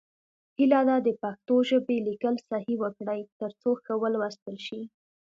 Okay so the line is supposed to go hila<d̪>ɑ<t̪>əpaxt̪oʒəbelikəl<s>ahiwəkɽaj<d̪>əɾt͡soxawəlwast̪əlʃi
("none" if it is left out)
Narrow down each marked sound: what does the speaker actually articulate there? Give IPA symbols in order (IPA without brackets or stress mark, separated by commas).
d̪, d̪, s, t̪